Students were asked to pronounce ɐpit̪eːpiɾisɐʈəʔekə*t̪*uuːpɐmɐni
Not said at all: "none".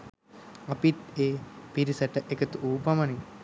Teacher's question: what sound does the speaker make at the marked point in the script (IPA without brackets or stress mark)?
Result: t̪